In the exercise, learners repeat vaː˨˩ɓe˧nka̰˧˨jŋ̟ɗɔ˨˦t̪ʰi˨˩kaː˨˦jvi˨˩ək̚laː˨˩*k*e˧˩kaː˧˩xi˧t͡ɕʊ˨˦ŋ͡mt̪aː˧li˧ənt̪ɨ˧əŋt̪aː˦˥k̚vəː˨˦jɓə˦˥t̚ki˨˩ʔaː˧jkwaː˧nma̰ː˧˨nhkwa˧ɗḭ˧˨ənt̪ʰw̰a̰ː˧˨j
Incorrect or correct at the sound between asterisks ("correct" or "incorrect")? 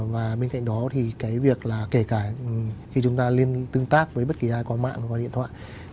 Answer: correct